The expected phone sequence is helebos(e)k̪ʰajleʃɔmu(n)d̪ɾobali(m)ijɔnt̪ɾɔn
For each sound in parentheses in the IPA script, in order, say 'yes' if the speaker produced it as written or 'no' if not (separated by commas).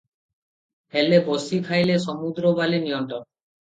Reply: no, no, no